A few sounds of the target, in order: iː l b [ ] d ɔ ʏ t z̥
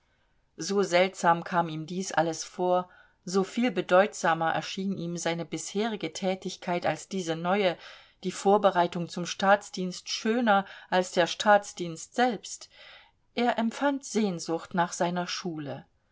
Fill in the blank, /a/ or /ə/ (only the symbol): ə